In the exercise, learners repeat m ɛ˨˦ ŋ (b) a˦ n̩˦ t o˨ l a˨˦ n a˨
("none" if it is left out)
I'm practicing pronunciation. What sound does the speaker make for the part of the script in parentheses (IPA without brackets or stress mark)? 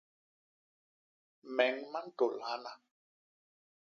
m